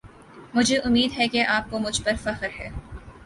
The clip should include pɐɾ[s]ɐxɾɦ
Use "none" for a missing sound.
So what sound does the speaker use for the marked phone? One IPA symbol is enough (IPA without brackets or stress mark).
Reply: f